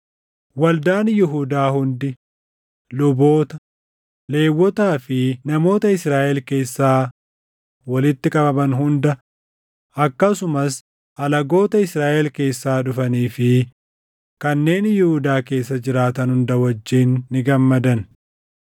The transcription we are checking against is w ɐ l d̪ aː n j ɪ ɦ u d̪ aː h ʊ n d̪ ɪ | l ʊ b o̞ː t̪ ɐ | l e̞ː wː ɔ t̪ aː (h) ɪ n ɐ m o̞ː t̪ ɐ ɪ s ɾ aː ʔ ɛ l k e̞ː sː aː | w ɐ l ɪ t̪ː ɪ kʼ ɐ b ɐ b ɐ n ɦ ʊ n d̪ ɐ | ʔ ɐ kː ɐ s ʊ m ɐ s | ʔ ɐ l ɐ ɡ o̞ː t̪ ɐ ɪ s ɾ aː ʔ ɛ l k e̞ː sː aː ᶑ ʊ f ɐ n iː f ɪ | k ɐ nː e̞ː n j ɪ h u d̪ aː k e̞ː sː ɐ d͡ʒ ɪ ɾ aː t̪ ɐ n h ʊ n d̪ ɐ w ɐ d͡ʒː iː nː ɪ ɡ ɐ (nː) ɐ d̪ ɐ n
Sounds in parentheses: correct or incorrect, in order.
incorrect, incorrect

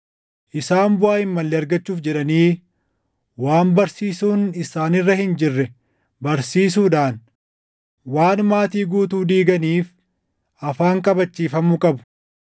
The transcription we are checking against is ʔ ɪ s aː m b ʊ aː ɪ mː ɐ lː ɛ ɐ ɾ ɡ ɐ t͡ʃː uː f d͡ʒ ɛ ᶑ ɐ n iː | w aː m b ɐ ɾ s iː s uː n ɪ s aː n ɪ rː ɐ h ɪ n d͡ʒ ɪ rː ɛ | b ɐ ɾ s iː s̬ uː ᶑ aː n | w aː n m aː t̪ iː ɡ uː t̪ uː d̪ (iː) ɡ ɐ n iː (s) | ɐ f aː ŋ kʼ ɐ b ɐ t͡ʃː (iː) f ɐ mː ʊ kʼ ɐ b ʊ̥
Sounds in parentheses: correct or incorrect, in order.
correct, incorrect, correct

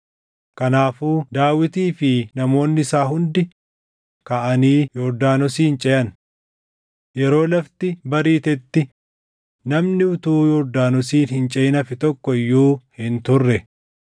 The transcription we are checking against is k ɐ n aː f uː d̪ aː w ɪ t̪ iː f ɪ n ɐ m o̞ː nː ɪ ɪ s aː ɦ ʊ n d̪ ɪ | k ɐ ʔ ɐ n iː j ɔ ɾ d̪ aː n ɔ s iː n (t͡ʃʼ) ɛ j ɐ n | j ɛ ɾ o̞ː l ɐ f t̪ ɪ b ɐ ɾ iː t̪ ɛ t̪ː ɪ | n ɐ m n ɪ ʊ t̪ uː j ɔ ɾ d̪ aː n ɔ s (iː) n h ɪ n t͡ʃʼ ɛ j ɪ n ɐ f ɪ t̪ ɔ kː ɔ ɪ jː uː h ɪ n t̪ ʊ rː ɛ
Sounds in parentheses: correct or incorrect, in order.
correct, correct

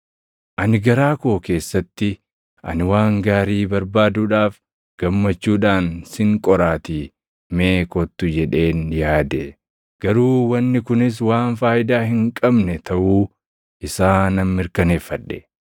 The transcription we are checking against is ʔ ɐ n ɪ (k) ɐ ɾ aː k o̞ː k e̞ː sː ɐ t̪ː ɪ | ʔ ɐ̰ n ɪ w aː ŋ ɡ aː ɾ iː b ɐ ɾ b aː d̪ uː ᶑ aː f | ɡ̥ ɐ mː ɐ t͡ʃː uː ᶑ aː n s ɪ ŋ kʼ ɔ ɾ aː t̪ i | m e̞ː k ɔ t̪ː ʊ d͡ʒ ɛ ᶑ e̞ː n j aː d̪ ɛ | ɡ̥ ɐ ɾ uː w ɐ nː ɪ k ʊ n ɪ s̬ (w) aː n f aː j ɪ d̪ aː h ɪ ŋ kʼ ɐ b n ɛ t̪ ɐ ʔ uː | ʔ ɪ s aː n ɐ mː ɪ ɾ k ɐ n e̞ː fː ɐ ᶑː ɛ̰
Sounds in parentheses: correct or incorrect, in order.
incorrect, correct

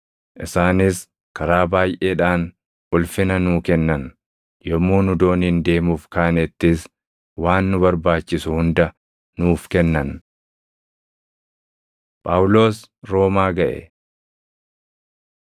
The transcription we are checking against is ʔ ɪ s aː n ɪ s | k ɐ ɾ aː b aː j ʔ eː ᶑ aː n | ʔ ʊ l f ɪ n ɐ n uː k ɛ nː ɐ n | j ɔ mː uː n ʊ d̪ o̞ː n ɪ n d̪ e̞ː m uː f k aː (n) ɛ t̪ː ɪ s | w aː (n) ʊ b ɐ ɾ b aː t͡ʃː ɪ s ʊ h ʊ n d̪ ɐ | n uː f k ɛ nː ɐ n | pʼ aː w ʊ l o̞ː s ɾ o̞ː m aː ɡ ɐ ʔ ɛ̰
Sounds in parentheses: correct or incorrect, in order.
correct, incorrect

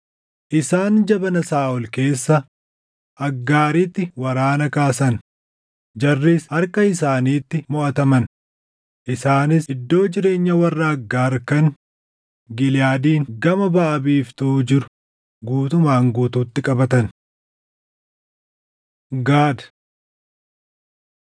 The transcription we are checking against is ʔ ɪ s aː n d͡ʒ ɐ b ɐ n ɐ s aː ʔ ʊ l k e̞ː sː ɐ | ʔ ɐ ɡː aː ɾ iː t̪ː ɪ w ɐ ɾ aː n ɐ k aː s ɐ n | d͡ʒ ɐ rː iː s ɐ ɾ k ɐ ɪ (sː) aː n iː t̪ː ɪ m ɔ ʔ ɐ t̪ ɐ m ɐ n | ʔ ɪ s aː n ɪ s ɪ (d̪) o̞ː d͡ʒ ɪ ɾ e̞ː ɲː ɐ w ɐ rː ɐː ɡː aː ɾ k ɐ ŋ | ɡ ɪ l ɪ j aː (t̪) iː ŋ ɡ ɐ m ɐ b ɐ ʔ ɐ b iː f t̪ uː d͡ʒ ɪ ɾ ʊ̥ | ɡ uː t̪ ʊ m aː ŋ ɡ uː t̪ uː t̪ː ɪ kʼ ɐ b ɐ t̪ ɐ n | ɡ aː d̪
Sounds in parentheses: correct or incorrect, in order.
incorrect, incorrect, incorrect

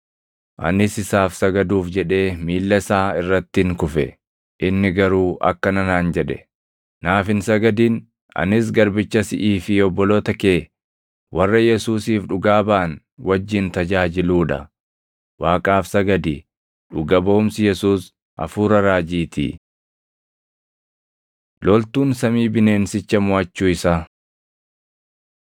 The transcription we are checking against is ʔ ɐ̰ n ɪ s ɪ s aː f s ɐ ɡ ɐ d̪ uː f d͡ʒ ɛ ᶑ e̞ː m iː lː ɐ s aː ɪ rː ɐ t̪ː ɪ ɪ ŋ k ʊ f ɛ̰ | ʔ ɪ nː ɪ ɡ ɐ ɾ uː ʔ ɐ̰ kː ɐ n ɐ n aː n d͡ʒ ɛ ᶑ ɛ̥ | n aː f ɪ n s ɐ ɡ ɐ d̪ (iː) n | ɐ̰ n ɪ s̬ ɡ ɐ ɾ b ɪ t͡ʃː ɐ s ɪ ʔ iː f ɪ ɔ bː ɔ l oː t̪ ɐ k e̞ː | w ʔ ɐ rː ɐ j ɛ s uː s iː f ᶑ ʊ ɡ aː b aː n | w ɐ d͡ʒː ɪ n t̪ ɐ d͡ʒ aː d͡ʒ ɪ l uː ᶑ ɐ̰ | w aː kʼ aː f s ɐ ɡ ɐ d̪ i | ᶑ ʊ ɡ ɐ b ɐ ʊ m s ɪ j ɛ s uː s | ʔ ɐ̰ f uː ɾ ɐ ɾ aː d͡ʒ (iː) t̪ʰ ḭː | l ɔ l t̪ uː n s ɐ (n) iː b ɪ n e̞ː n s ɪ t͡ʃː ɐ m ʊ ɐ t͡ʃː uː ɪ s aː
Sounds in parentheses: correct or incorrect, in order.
correct, correct, incorrect

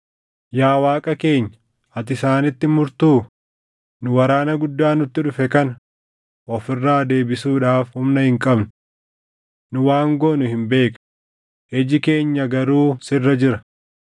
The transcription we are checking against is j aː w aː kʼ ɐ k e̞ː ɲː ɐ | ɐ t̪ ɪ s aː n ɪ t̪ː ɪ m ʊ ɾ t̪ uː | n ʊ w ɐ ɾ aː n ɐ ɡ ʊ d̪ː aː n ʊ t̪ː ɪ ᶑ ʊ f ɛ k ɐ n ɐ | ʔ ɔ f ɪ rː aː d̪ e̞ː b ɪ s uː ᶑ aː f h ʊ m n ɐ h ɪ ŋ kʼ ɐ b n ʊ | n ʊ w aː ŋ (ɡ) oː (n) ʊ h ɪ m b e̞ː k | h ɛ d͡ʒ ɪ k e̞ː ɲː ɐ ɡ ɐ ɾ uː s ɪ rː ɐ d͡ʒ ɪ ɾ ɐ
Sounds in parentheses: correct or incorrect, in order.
correct, correct

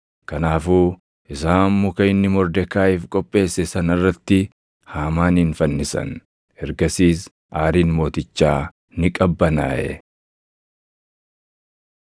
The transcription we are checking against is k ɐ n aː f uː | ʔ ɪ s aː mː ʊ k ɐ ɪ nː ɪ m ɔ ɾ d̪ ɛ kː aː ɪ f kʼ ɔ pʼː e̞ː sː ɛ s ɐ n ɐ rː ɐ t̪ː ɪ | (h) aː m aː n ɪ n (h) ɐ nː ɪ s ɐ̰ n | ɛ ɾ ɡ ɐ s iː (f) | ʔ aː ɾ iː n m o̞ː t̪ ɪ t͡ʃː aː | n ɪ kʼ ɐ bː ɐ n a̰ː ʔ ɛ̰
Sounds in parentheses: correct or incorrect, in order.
correct, incorrect, incorrect

